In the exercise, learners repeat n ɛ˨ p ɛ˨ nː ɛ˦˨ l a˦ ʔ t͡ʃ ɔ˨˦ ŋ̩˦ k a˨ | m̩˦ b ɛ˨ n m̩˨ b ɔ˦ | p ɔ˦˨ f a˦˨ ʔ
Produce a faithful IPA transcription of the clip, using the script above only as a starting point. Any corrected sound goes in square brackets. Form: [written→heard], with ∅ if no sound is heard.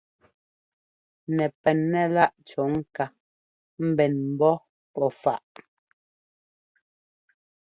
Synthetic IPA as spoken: n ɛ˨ p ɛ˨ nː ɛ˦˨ l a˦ ʔ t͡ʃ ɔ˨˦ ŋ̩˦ k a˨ | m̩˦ b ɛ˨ n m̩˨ b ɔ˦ | p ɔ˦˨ f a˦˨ ʔ

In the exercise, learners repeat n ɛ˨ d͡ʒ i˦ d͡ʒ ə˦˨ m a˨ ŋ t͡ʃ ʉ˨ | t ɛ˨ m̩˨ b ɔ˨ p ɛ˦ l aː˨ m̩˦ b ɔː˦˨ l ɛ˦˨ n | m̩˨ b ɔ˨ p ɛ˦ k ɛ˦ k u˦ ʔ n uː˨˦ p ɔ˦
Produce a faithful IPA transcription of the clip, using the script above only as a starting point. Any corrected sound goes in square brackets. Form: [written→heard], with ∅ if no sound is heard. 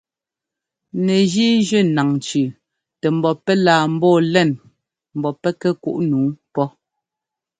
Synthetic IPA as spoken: n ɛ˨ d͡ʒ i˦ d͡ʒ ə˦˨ [m→n] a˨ ŋ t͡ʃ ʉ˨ | t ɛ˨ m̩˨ b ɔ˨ p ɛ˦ l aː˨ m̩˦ b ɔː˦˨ l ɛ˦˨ n | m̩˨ b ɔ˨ p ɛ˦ k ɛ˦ k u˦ ʔ n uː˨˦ p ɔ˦

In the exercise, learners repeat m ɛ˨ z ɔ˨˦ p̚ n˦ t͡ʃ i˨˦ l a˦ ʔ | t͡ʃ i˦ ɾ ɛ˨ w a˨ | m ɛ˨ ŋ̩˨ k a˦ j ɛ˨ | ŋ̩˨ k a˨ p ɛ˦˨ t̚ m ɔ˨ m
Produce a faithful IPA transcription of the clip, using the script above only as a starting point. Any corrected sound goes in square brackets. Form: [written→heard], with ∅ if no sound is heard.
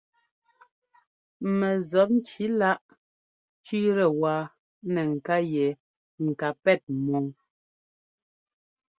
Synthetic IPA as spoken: m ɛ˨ z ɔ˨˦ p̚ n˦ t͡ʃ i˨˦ l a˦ ʔ | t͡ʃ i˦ ɾ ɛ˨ w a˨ | [m→n] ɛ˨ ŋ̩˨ k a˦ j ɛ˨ | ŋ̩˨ k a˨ p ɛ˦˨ t̚ m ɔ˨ [m→ŋ]

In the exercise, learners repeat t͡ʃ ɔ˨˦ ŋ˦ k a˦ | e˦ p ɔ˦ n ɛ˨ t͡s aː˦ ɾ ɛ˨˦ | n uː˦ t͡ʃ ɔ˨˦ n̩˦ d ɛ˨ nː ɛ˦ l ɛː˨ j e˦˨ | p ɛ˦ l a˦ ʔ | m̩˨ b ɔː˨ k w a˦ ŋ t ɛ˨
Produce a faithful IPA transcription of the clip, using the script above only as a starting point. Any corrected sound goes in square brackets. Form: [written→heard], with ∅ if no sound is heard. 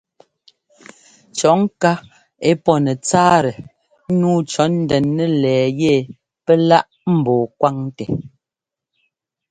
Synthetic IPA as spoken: t͡ʃ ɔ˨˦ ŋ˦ k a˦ | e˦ p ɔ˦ n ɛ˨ t͡s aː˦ ɾ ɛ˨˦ | n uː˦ t͡ʃ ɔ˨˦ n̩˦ d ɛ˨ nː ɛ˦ l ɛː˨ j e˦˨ | p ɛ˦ l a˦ ʔ | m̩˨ b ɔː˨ k w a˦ ŋ t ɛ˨

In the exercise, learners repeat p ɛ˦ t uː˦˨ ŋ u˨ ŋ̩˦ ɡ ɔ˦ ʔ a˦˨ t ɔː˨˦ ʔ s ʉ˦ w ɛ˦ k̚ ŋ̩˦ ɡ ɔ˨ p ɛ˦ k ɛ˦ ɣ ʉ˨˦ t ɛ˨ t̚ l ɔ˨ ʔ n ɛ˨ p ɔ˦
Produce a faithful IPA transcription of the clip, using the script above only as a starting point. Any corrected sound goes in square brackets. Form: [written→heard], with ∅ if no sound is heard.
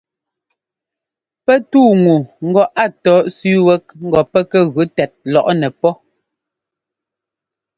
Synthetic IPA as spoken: p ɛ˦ t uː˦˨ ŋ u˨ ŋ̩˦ ɡ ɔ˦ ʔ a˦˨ t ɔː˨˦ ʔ s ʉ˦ w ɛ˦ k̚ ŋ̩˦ ɡ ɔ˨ p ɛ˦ k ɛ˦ ɣ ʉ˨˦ t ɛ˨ t̚ l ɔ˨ ʔ n ɛ˨ p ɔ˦

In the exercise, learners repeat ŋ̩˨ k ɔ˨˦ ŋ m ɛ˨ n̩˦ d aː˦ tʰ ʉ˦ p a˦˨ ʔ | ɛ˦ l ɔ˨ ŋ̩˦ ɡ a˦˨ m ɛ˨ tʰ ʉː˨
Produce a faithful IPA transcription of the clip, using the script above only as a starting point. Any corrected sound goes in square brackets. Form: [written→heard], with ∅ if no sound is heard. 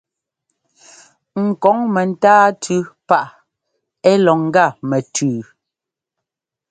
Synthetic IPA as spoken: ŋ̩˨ k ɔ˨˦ ŋ m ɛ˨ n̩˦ [d→t] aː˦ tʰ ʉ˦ p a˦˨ ʔ | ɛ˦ l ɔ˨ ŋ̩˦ ɡ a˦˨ m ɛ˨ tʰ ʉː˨

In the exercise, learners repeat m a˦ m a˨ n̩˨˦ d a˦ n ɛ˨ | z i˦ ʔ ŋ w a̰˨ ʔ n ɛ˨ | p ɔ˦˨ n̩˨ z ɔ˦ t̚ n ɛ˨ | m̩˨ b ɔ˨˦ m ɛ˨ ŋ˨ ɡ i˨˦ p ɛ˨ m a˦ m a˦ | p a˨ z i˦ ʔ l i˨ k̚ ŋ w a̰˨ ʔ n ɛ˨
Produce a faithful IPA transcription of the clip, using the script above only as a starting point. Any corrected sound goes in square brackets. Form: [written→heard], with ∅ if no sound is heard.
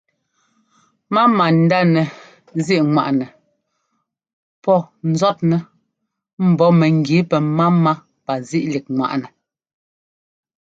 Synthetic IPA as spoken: m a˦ m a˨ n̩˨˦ d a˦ n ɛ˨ | z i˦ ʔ ŋ w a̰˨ ʔ n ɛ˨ | p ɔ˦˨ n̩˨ z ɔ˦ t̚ n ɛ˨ | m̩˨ b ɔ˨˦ m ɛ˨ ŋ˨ ɡ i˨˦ p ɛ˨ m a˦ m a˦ | p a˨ z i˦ ʔ l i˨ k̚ ŋ w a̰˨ ʔ n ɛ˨

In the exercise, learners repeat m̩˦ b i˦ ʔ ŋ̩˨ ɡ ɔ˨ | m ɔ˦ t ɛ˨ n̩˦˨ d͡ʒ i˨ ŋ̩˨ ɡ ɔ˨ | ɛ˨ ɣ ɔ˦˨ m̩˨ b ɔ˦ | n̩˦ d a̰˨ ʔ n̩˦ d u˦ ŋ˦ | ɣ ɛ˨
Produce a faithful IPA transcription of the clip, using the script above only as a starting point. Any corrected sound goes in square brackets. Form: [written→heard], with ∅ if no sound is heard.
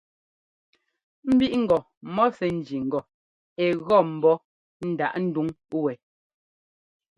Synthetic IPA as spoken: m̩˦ b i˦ ʔ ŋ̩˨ ɡ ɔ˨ | m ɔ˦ [t→s] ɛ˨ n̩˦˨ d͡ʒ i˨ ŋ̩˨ ɡ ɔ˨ | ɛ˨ ɣ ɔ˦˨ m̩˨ b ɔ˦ | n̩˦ d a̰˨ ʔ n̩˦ d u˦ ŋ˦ | [ɣ→w] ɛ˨

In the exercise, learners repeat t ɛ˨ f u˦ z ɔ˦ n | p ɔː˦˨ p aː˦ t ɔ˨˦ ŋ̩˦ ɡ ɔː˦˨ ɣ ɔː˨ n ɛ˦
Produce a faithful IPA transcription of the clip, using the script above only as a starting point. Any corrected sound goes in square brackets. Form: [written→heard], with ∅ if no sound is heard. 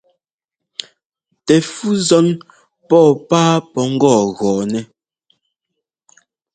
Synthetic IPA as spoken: t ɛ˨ f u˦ z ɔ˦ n | p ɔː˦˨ p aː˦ [t→p] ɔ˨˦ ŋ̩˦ ɡ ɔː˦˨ ɣ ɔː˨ n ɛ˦

